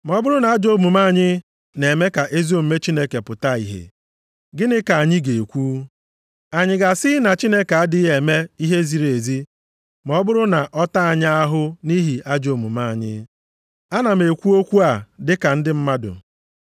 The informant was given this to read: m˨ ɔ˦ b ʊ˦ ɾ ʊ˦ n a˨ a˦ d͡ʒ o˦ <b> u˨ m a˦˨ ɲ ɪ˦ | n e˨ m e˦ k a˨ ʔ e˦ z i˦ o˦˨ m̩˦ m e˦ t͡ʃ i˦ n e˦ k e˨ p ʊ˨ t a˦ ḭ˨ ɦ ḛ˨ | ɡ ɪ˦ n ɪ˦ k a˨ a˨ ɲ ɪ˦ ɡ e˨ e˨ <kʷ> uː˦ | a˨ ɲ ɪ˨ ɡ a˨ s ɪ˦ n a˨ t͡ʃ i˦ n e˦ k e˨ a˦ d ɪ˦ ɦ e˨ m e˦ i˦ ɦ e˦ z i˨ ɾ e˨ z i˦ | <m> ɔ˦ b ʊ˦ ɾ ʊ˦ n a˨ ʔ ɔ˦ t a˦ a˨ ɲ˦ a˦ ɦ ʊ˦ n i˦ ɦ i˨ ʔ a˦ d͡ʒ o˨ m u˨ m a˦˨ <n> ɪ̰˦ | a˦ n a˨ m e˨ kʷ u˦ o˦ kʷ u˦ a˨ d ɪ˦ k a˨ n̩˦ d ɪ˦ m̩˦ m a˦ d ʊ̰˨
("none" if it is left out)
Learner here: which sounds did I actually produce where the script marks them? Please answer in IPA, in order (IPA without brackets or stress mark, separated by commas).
m, kʷ, m, ɲ